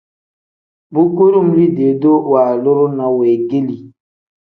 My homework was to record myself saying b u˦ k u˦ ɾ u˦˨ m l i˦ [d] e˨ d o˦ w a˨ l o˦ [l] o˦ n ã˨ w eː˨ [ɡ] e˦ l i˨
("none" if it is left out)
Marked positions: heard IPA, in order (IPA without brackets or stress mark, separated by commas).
d, ɾ, ɡ